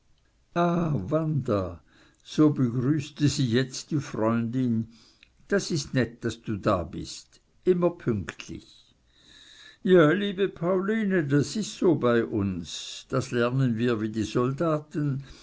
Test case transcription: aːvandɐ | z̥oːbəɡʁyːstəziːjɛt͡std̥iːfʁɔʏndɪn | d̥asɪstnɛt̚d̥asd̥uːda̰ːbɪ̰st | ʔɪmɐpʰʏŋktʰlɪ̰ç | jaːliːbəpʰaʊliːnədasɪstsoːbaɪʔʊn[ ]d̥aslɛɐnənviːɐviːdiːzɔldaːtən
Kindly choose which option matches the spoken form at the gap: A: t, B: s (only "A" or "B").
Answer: B